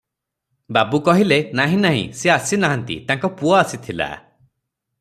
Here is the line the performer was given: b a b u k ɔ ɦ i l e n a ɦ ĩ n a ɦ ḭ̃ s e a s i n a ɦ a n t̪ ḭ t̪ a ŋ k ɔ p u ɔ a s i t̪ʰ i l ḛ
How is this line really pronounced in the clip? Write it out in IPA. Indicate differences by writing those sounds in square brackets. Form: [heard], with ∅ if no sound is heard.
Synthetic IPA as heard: b a b u k ɔ ɦ i l e n a ɦ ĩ n a ɦ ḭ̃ s e a s i n a ɦ a n t̪ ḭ t̪ a ŋ k ɔ p u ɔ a s i t̪ʰ i l [a̰]